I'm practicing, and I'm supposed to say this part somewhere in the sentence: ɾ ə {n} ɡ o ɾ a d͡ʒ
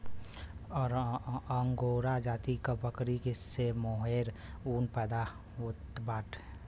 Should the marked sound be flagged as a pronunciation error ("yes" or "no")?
yes